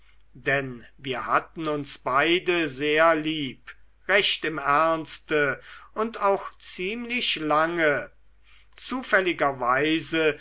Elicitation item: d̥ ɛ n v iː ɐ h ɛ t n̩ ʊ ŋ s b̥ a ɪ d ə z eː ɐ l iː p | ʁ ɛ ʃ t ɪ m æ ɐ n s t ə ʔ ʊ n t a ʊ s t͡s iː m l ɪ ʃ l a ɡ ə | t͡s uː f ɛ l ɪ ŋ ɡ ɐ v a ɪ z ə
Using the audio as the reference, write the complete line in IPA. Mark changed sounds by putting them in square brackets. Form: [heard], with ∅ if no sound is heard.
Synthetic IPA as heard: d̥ ɛ n v iː ɐ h [a] t n̩ ʊ [n] s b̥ a ɪ d ə z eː ɐ l iː p | ʁ ɛ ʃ t ɪ m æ ɐ n s t ə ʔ ʊ n t a ʊ [x] t͡s iː m l ɪ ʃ l a [ŋ] ə | t͡s uː f ɛ l ɪ [∅] ɡ ɐ v a ɪ z ə

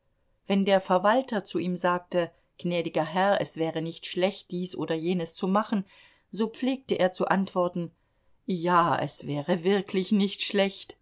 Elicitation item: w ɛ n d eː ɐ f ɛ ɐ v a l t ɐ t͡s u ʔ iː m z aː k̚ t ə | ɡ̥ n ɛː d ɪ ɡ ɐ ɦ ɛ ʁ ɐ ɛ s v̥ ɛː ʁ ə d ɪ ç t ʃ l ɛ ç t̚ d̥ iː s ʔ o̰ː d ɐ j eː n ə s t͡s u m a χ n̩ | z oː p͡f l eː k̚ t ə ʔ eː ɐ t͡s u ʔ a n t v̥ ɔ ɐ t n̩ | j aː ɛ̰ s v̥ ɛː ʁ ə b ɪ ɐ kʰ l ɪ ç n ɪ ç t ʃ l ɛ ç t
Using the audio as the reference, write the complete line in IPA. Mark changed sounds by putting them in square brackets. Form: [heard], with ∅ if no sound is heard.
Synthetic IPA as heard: [v] ɛ n d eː ɐ f ɛ ɐ v a l t ɐ t͡s u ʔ iː m z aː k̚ t ə | ɡ̥ n ɛː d ɪ ɡ ɐ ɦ ɛ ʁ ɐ ɛ s v̥ ɛː ʁ ə [n] ɪ ç t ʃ l ɛ ç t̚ d̥ iː s ʔ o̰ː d ɐ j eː n ə s t͡s u m a χ n̩ | z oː p͡f l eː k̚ t ə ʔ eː ɐ t͡s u ʔ a n t v̥ ɔ ɐ t n̩ | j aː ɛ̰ s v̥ ɛː ʁ ə [v] ɪ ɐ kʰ l ɪ ç n ɪ ç t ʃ l ɛ ç t

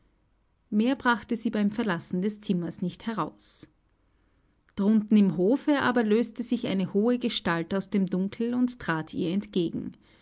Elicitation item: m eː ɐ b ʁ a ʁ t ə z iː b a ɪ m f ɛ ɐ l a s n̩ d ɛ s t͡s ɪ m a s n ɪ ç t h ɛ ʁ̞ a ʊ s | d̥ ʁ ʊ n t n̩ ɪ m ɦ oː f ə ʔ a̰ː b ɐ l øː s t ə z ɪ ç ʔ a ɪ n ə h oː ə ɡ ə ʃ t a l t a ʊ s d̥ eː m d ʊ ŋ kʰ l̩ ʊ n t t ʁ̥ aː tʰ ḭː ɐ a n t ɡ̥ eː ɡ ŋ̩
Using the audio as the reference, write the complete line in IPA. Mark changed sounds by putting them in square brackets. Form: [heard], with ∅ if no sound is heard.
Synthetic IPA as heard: m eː ɐ b ʁ a [χ] t ə z iː b a ɪ m f ɛ ɐ l a s n̩ d ɛ s t͡s ɪ m [ɐ] s n ɪ ç t h ɛ ʁ̞ a ʊ s | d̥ ʁ ʊ n t n̩ ɪ m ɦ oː f ə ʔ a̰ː b ɐ l øː s t ə z ɪ ç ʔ a ɪ n ə h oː ə ɡ ə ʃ t a l t a ʊ s d̥ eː m d ʊ ŋ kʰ l̩ ʊ n t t ʁ̥ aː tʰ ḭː ɐ [ɛ] n t ɡ̥ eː ɡ ŋ̩

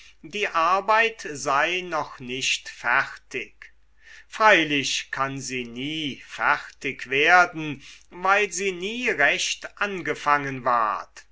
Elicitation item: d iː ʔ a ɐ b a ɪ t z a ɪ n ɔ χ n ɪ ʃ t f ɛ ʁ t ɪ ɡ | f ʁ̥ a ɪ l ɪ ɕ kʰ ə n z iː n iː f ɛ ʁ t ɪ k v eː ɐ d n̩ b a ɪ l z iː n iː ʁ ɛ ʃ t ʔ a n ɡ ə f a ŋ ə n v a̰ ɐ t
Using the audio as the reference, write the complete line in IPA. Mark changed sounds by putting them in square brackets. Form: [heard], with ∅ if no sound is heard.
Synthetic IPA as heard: d iː ʔ a ɐ b a ɪ t z a ɪ n ɔ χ n ɪ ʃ t f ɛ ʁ t ɪ [k] | f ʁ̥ a ɪ l ɪ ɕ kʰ [a] n z iː n iː f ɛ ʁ t ɪ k v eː ɐ d n̩ [v] a ɪ l z iː n iː ʁ ɛ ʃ t ʔ a n ɡ ə f a ŋ ə n v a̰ ɐ t

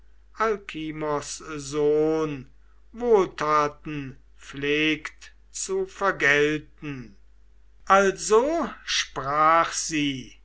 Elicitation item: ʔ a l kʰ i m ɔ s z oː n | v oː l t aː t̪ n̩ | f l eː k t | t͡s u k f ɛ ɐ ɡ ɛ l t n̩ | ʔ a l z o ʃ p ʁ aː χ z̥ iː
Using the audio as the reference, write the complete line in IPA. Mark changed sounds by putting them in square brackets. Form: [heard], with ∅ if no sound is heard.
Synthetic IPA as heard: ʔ a l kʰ i m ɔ s z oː n | v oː l t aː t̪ n̩ | f l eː k t | t͡s u [∅] f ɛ ɐ ɡ ɛ l t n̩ | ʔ a l z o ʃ p ʁ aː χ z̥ iː

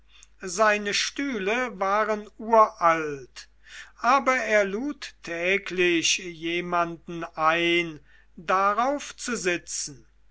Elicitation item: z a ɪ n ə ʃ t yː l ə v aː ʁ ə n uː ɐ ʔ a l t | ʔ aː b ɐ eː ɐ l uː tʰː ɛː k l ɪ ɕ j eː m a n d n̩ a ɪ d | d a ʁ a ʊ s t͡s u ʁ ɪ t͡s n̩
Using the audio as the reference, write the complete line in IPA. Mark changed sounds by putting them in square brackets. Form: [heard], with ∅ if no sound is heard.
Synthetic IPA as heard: z a ɪ n ə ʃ t yː l ə v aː ʁ ə n uː ɐ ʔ a l t | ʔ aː b ɐ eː ɐ l uː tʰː ɛː k l ɪ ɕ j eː m a n d n̩ a ɪ [n] | d a ʁ a ʊ [f] t͡s u [z] ɪ t͡s n̩

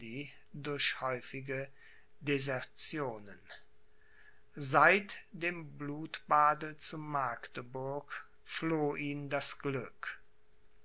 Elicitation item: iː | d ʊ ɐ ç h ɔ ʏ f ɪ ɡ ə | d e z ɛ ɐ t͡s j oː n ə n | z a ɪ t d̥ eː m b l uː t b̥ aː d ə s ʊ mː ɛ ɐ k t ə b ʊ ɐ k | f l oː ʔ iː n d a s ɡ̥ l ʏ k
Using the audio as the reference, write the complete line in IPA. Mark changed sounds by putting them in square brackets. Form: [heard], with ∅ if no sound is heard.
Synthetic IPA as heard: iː | d ʊ ɐ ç h ɔ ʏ f ɪ ɡ ə | d e z ɛ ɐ t͡s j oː n ə n | z a ɪ t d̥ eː m b l uː t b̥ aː d ə [t͡s] ʊ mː [a] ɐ k t ə b ʊ ɐ k | f l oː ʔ iː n d a s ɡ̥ l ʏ k

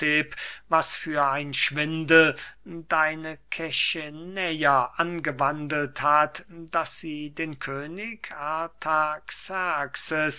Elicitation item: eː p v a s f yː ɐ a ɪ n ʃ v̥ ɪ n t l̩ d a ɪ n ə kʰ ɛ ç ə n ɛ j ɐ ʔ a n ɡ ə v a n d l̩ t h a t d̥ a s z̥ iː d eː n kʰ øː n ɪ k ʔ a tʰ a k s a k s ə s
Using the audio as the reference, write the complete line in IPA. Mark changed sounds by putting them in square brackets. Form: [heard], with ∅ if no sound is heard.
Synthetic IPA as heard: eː p v a s f yː ɐ a ɪ n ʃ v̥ ɪ n [d] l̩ d a ɪ n ə kʰ ɛ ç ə n ɛ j ɐ ʔ a n ɡ ə v a n d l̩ t h a t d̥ a s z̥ iː d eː n kʰ øː n ɪ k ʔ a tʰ a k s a k s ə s

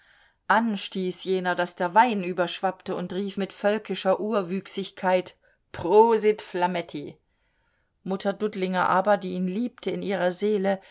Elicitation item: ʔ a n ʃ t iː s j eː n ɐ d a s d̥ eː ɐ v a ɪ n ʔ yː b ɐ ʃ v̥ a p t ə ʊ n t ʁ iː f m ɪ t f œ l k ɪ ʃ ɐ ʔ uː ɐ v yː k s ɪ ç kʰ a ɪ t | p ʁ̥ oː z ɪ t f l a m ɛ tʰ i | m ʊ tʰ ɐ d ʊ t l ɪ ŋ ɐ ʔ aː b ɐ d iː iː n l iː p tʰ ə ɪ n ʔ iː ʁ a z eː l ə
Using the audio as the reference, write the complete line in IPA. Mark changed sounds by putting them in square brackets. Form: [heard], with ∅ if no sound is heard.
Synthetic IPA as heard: ʔ a n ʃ t iː s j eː n ɐ d a s d̥ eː ɐ v a ɪ n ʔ yː b ɐ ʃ v̥ a p t ə ʊ n t ʁ iː f m ɪ t f œ l k ɪ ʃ ɐ ʔ uː ɐ v yː k s ɪ ç kʰ a ɪ t | p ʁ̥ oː z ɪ t f l a m ɛ tʰ i | m ʊ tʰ ɐ d ʊ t l ɪ ŋ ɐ ʔ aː b ɐ d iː iː n l iː p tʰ ə ɪ n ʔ iː ʁ [ɐ] z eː l ə

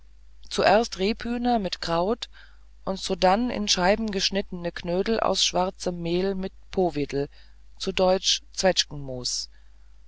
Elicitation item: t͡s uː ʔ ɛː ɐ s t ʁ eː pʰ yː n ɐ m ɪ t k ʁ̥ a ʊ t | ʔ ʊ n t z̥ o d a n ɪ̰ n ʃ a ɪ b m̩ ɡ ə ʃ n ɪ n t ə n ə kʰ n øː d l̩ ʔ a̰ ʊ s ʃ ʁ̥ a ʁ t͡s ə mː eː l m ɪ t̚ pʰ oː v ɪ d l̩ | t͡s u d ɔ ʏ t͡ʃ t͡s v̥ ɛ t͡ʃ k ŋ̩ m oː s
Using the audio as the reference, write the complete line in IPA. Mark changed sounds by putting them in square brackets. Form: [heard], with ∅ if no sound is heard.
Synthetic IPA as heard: t͡s [u] ʔ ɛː ɐ s t ʁ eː pʰ yː n ɐ m ɪ t k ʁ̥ a ʊ t | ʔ ʊ n t z̥ o d a n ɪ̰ n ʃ a ɪ b m̩ ɡ ə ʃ n ɪ [∅] t ə n ə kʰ n øː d l̩ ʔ a̰ ʊ s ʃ [v̥] a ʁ t͡s ə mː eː l m ɪ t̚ pʰ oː v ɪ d l̩ | t͡s u d ɔ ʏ t͡ʃ t͡s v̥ ɛ t͡ʃ k ŋ̩ m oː s

